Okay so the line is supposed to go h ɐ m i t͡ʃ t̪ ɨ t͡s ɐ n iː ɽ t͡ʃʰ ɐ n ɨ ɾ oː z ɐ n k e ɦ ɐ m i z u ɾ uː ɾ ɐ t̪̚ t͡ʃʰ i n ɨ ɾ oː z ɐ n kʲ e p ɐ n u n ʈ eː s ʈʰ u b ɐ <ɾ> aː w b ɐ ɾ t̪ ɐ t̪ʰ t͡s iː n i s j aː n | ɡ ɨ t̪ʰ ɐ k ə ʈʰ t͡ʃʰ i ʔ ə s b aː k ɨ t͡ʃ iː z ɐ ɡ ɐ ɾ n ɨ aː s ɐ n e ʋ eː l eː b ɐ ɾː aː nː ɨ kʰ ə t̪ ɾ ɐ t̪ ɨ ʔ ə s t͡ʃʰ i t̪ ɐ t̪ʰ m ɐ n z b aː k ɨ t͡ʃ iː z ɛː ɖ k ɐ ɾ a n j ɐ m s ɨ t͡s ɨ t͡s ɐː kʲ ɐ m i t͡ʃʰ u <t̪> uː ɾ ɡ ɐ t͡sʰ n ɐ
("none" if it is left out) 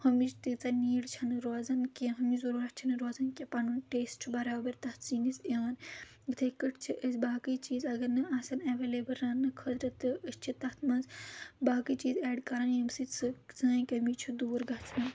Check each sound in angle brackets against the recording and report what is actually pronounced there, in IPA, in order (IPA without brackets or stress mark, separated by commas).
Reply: ɾ, d̪